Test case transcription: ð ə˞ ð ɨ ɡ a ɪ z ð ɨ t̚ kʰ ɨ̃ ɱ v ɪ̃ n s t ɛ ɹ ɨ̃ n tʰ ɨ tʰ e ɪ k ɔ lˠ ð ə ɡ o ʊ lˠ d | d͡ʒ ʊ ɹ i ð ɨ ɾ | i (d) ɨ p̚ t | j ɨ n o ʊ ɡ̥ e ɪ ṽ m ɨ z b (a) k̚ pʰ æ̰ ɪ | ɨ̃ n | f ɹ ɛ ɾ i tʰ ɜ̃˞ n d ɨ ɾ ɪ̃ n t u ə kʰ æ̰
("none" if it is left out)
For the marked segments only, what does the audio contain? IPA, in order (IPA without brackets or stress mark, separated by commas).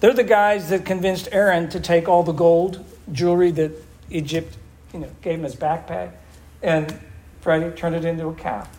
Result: d͡ʒ, æ